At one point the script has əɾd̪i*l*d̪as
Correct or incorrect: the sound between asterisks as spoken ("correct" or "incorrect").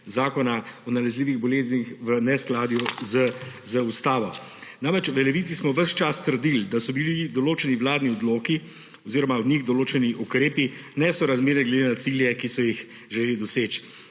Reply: correct